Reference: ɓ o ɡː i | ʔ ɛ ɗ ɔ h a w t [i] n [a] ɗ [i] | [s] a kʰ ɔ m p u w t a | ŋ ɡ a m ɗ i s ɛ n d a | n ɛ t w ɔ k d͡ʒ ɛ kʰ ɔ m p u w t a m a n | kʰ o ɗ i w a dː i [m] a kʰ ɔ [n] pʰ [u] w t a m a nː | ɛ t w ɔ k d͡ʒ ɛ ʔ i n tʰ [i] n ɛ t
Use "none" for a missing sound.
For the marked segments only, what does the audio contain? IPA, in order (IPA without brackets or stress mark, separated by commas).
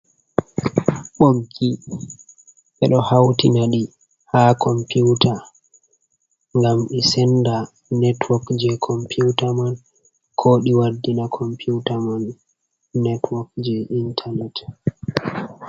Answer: i, a, i, h, n, m, u, a